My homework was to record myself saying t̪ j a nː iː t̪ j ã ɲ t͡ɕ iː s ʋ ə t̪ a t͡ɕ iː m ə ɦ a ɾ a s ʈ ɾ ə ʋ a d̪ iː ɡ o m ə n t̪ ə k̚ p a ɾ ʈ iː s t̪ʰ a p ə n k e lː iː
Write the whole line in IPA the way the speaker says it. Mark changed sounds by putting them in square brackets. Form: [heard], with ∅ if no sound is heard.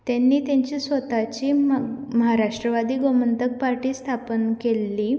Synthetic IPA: t̪ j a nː iː t̪ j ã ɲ t͡ɕ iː s ʋ ə t̪ a t͡ɕ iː m ə ɦ a ɾ a [ʂ] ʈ ɾ ə ʋ a d̪ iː ɡ o m ə n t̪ ə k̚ p a ɾ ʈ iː s t̪ʰ a p ə n k e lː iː